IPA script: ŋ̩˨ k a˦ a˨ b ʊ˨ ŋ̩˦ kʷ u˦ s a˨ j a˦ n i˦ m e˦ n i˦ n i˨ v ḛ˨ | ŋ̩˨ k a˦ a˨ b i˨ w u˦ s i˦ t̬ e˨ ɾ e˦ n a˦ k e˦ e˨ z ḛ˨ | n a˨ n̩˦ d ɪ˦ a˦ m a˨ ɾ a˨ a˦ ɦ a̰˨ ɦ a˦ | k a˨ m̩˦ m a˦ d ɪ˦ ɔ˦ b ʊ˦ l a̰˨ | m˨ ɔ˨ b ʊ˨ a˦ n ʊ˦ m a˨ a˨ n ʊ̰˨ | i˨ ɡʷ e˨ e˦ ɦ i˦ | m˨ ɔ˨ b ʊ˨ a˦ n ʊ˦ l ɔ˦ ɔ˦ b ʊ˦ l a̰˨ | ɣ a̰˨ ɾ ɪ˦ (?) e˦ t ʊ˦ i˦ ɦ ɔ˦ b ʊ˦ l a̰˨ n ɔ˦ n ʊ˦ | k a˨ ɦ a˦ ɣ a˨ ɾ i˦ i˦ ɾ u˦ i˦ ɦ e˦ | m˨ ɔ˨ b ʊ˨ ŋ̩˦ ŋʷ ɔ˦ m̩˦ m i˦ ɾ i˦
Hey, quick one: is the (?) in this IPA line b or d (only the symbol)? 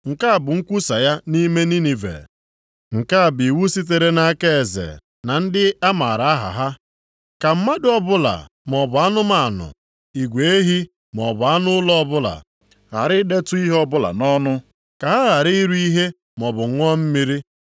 d